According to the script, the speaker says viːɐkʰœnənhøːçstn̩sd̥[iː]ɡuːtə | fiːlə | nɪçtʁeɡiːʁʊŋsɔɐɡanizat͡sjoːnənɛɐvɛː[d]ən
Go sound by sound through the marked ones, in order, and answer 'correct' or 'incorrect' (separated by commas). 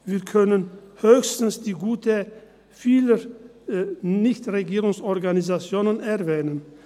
correct, incorrect